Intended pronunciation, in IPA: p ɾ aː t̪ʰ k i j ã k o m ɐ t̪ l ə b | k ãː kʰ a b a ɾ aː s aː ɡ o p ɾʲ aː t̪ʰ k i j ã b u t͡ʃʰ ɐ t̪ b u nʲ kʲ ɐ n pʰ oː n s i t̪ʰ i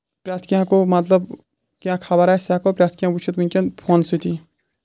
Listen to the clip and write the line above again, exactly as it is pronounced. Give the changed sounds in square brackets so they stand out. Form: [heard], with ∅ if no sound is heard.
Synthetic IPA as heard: p ɾ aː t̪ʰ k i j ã k o m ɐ t̪ l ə b | k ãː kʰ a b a ɾ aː s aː [k] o p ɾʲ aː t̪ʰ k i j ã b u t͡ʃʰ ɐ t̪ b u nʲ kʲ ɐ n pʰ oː n s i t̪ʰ i